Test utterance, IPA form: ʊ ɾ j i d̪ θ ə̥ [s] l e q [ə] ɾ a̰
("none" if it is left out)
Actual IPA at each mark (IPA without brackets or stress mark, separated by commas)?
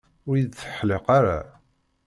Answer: ħ, a